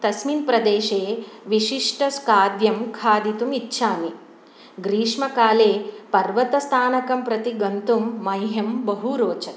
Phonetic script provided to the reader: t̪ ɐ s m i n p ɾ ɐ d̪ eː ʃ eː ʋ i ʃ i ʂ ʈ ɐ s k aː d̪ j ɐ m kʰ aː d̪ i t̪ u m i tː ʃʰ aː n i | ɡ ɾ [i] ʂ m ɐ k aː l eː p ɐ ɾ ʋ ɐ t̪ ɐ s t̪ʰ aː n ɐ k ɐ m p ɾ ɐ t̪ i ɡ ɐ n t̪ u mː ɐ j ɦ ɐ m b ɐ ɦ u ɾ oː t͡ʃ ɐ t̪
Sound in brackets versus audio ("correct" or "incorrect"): incorrect